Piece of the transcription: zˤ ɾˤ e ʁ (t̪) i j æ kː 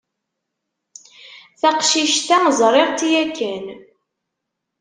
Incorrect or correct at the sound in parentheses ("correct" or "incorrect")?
correct